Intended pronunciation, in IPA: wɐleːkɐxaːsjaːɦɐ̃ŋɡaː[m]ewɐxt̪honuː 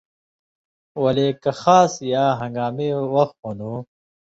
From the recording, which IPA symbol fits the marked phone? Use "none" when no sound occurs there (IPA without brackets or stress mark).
m